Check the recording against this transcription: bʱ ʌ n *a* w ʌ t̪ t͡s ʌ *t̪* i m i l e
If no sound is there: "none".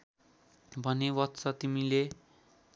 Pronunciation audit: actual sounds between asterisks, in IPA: e, t̪

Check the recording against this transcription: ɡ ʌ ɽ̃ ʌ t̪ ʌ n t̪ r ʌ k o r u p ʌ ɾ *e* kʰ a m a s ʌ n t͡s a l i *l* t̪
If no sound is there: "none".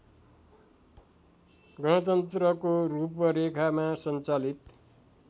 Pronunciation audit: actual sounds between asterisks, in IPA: e, none

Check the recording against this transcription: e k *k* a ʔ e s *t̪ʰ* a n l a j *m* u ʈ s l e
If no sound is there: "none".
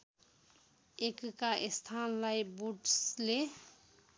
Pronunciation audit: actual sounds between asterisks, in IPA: k, t̪ʰ, b

